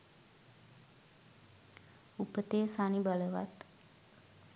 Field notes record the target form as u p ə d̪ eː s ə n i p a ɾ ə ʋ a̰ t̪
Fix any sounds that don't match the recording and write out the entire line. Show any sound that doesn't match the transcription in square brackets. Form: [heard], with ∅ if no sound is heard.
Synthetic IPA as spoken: u p ə [t̪] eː s [a] n i [b] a [l] ə ʋ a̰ t̪